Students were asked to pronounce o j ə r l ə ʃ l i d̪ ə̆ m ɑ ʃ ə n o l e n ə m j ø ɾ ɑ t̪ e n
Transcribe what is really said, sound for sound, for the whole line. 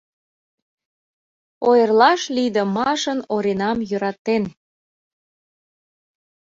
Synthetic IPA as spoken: o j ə r l ɑ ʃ l i d̪ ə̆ m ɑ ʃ ə n o ɾ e n ɑ m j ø ɾ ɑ t̪ e n